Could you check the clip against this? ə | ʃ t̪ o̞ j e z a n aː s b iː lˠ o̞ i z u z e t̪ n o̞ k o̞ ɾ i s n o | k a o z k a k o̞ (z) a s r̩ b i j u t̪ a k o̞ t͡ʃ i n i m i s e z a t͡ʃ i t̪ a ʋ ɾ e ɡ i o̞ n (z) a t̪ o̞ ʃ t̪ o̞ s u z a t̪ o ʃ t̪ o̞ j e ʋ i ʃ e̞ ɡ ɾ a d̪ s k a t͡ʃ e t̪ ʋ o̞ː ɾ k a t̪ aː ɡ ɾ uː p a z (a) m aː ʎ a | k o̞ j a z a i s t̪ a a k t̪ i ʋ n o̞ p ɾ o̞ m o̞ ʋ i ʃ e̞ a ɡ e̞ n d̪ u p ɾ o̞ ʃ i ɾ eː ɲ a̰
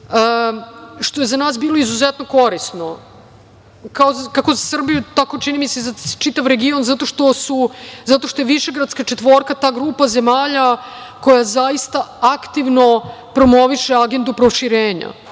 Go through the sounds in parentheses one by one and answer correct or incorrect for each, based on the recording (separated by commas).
correct, correct, incorrect